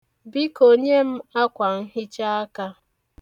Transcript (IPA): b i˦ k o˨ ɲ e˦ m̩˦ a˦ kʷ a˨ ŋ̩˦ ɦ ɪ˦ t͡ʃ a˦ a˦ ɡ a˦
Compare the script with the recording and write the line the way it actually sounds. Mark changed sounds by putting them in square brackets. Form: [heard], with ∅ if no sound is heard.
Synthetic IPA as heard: b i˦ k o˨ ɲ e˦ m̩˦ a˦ kʷ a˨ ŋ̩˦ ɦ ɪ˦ t͡ʃ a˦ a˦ [k] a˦